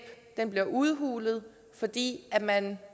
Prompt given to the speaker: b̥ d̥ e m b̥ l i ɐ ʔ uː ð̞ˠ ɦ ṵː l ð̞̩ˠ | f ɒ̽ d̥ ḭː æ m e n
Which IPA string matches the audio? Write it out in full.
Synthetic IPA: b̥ d̥ e n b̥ l i ɐ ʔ u ð̞ˠ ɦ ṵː l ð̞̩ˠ | f ɒ̽ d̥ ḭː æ m æ n

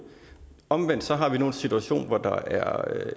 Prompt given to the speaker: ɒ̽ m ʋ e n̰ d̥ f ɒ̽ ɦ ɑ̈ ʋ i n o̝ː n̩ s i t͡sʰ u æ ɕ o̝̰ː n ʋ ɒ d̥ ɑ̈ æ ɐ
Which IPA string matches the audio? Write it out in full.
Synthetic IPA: ɒ̽ m ʋ e n̰ d̥ s ɒ̽ ɦ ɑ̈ ʋ i n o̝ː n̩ s i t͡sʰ u æ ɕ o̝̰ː n ʋ ɒ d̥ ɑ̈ æ ɐ

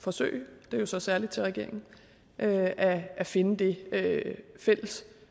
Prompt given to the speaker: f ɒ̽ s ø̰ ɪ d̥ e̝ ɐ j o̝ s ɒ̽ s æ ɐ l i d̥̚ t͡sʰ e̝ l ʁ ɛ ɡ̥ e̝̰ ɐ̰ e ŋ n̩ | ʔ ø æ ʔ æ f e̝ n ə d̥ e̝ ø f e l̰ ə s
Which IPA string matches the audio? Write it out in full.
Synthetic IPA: f ɒ̽ s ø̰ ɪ d̥ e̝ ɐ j o̝ s ɒ̽ s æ ɐ l i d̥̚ t͡sʰ e̝ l ʁ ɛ ɡ̥ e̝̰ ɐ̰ e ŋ n̩ | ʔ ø æ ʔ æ f e̝ n ə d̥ e̝ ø f e l̰ ə s

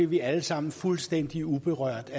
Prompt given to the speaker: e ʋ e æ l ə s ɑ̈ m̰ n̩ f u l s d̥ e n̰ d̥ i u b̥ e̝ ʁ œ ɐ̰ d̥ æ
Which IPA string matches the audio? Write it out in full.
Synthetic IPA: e ʋ i æ l ə s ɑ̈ m̰ n̩ f u l s d̥ e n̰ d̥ i u b̥ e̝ ʁ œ ɐ̰ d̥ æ

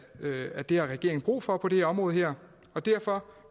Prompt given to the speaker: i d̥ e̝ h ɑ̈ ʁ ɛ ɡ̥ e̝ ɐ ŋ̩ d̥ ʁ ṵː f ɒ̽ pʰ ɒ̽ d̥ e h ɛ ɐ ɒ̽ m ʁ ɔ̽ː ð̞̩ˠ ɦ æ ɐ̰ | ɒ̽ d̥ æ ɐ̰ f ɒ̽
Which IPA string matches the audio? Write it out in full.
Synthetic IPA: æ d̥ e̝ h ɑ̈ ʁ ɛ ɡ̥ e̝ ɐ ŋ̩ b̥ ʁ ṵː f ɒ̽ pʰ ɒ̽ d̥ e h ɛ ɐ ɒ̽ m ʁ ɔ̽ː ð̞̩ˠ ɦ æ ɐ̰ | ɒ̽ d̥ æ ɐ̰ f ɒ̽

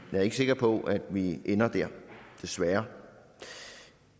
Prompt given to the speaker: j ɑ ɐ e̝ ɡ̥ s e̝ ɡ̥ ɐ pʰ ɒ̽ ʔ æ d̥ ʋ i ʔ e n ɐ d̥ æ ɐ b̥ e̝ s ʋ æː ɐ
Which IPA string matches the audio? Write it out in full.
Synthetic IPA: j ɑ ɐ e̝ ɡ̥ s e̝ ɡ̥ ɐ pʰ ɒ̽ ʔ æ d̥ ʋ i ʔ e n ɐ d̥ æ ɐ d̥ e̝ s ʋ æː ɐ

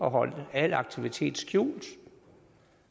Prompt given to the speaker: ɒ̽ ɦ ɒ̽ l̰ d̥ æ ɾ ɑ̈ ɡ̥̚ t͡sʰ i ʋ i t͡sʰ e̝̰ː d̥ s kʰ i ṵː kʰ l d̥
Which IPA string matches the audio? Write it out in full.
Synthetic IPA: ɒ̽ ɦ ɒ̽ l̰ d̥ æ l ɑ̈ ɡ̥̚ t͡sʰ i ʋ i t͡sʰ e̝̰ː d̥ s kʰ j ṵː l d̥

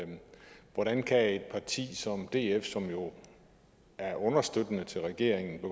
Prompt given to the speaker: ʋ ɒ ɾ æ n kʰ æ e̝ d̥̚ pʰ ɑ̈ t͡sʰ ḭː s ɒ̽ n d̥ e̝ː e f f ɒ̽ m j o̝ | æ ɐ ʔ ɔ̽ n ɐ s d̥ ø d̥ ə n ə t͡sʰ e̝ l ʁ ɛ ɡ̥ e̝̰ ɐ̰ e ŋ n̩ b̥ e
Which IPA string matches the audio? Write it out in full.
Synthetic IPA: ʋ ɒ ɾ æ n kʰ æ e̝ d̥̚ pʰ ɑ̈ t͡sʰ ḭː s ɒ̽ m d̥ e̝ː e f s ɒ̽ m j o̝ | æ ɐ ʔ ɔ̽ n ɐ s d̥ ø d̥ ə n ə t͡sʰ e̝ l ʁ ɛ ɡ̥ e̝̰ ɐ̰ e ŋ n̩ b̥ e

